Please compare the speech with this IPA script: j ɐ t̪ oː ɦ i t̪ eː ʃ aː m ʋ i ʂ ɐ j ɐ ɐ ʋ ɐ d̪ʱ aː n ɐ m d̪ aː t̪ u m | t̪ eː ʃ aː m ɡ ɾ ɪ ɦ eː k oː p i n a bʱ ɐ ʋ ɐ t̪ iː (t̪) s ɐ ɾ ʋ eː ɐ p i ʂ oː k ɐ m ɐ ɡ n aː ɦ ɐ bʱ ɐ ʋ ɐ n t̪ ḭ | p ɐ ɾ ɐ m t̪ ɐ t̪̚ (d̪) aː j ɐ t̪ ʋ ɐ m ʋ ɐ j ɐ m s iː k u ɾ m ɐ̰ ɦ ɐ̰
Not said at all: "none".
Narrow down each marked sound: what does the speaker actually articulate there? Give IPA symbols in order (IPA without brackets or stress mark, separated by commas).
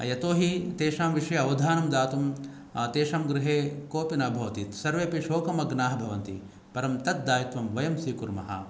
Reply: t̪, d̪